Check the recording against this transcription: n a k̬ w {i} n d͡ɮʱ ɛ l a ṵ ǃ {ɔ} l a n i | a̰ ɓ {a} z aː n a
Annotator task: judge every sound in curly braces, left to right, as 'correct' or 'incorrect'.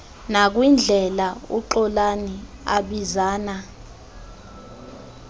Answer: correct, correct, incorrect: i

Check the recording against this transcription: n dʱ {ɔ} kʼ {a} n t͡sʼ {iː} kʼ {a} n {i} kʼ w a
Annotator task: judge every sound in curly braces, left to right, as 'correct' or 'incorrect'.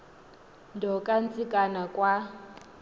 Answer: correct, correct, incorrect: i, correct, incorrect: a

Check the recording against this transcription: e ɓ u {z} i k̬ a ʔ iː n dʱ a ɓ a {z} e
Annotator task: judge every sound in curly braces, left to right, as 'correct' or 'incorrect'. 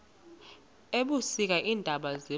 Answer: incorrect: s, correct

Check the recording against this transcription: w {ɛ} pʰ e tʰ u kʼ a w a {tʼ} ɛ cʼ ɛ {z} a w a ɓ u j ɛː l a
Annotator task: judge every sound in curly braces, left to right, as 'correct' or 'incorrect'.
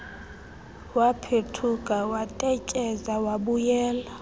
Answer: incorrect: a, correct, correct

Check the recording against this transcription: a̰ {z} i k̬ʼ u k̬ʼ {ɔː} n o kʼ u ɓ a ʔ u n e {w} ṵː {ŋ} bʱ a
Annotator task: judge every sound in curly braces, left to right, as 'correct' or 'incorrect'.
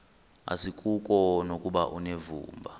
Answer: incorrect: s, incorrect: ɔ, incorrect: v, incorrect: m

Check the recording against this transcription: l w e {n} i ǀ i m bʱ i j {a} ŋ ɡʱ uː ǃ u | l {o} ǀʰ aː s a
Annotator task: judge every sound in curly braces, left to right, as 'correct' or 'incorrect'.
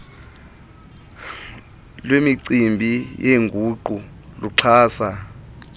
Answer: incorrect: m, incorrect: e, incorrect: u

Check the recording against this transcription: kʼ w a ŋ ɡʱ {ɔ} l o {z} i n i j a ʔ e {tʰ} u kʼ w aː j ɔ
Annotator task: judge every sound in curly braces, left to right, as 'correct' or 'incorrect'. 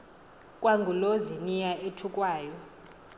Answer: incorrect: u, correct, correct

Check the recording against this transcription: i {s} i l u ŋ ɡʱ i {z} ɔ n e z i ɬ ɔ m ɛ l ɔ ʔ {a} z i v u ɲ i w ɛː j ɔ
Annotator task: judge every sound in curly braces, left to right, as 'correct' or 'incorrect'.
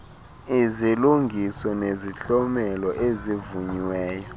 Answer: incorrect: z, incorrect: s, incorrect: e

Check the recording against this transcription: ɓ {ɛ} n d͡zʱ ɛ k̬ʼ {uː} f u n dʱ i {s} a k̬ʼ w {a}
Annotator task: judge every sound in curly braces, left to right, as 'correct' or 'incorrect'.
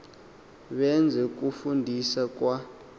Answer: correct, incorrect: u, correct, correct

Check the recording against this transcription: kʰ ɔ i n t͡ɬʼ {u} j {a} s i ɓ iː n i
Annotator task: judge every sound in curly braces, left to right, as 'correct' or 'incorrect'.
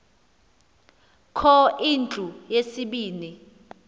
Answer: correct, incorrect: e

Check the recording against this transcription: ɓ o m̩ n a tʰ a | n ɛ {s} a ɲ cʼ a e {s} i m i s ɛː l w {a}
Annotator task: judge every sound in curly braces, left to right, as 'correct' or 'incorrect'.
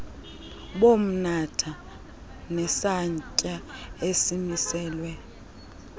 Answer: correct, correct, incorrect: ɛ

